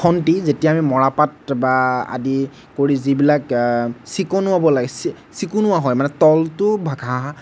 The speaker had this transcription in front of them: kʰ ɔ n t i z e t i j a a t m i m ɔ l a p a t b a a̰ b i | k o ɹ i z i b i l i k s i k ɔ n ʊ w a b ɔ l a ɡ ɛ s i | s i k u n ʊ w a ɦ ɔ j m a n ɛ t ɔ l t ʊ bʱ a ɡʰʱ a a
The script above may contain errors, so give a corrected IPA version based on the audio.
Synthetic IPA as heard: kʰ ɔ n t i z e t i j a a m i m ɔ ɹ a p a t b a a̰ d i | k o ɹ i z i b i l a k s i k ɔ n ʊ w a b ɔ l a ɡ ɛ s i | s i k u n ʊ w a ɦ ɔ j m a n ɛ t ɔ l t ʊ bʱ a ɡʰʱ a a